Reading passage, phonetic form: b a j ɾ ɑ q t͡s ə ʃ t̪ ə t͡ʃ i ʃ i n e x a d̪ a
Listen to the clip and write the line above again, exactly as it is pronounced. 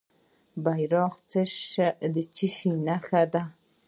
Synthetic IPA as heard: b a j ɾ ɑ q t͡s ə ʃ d̪ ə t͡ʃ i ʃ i n a x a d̪ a

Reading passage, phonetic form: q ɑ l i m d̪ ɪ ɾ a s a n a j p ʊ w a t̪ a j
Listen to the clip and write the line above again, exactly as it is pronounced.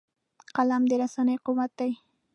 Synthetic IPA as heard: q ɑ l a m d̪ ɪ ɾ a s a n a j q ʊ w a t̪ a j

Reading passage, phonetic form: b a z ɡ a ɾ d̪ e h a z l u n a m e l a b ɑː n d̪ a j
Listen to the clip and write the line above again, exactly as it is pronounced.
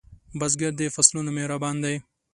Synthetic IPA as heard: b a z ɡ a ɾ d̪ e f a s l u n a m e ɾ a b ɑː n d̪ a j

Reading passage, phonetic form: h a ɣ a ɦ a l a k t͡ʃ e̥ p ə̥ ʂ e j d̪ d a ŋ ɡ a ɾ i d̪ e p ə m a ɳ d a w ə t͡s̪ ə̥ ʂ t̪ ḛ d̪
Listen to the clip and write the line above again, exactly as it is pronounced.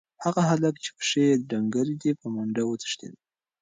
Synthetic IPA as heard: h a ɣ a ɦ a l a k t͡ʃ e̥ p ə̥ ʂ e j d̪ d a ŋ ɡ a ɾ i d̪ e p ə m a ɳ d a w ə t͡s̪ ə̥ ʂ t̪ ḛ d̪

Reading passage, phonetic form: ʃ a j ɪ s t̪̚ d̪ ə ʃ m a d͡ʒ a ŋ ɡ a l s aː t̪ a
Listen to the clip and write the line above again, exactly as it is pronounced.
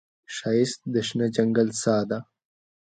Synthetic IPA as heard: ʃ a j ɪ s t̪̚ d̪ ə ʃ n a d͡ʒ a ŋ ɡ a l s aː d̪ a

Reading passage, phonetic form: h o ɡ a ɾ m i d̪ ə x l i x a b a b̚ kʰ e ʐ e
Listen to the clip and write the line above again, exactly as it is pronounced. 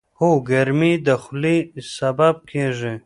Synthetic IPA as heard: h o ɡ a ɾ m i d̪ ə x l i s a b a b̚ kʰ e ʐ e

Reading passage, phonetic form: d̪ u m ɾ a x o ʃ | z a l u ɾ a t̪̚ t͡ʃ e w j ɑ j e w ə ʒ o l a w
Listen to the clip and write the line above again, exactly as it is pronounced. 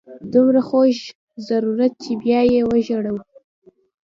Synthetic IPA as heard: d̪ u m ɾ a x o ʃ | z a ɾ u ɾ a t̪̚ t͡ʃ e b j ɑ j e w ə ʒ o ɽ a w

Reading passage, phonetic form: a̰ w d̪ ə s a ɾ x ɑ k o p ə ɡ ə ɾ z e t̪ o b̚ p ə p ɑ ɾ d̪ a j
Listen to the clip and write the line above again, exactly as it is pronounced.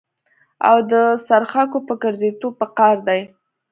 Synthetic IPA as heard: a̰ w d̪ ə s a ɾ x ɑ k o p ə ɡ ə ɾ z e t̪ o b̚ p ə q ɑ ɾ d̪ a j

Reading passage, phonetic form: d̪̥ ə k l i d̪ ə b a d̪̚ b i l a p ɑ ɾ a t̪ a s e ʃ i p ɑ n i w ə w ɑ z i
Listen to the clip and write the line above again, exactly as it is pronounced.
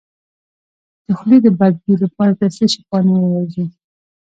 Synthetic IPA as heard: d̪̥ ə x l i d̪ ə b a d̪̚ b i l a p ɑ ɾ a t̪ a s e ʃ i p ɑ n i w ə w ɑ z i

